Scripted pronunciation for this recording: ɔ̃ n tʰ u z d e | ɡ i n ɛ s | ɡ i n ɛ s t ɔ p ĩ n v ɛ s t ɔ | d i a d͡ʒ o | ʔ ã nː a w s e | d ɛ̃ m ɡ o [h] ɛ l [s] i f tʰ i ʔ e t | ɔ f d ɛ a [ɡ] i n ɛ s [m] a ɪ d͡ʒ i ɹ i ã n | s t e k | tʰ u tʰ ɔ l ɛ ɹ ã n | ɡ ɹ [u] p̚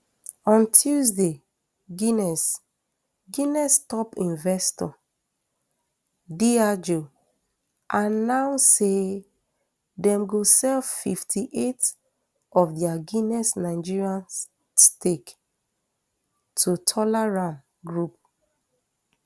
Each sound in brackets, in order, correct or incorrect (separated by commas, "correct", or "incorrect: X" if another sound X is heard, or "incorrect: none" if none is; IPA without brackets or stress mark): incorrect: s, incorrect: f, correct, incorrect: n, correct